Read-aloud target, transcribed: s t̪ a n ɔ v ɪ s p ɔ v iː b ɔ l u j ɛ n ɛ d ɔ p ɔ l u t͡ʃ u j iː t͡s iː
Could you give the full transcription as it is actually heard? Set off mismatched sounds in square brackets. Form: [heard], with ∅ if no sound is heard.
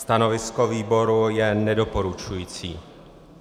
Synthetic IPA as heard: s t̪ a n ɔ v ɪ s [k] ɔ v iː b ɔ [ɾ] u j ɛ n ɛ d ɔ p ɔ [ɾ] u t͡ʃ u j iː t͡s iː